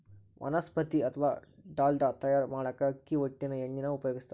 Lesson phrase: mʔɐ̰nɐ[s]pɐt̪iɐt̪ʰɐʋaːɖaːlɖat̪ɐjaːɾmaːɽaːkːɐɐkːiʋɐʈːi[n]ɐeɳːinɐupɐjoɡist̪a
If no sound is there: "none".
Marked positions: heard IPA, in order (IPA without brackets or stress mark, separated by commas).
s, n